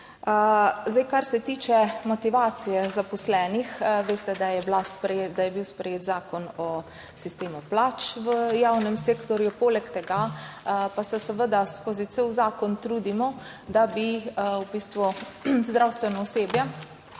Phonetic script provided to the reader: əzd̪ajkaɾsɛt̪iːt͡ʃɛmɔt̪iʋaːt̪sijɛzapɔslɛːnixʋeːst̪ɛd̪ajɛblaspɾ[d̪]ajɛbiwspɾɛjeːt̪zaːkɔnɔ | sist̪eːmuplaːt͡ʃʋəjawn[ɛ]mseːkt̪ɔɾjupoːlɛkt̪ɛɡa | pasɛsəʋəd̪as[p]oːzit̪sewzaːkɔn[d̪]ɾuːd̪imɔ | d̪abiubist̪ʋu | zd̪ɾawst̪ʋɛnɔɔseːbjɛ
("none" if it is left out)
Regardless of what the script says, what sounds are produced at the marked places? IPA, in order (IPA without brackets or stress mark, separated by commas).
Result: d̪, ɛ, k, t̪